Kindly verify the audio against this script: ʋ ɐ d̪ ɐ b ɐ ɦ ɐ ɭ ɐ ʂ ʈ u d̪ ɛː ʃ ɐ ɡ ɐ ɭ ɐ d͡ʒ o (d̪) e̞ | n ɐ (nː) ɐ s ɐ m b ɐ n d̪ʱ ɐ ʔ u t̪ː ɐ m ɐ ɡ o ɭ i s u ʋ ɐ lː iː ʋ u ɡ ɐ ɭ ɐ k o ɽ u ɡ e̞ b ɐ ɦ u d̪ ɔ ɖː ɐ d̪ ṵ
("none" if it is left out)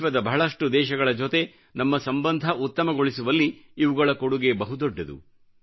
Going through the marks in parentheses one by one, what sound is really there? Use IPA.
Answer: t̪, mː

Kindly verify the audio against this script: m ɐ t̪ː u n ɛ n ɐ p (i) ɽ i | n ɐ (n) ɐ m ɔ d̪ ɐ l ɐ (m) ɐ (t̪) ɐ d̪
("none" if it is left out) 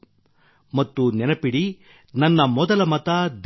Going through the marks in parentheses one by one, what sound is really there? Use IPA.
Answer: i, nː, m, t̪

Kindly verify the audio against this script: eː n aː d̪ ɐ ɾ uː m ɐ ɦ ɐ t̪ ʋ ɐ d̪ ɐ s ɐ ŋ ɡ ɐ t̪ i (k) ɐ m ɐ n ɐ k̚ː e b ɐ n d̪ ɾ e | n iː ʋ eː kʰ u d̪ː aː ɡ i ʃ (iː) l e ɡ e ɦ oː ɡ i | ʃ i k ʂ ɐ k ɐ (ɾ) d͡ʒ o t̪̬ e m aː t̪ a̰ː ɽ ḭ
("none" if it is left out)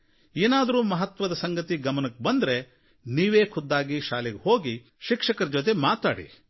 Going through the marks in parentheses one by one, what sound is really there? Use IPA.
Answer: ɡ, aː, ɾ

